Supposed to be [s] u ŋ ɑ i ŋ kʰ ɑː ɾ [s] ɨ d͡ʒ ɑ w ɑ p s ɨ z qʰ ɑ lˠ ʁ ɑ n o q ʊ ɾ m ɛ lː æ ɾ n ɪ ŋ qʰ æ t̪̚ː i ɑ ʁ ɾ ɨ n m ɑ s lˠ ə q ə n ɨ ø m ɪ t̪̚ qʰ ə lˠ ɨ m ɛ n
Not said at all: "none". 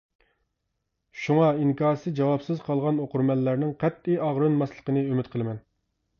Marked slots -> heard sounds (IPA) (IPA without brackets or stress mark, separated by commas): ʃ, s